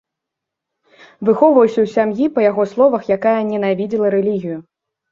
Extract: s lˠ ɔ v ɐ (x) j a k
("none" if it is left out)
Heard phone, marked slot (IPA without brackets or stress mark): x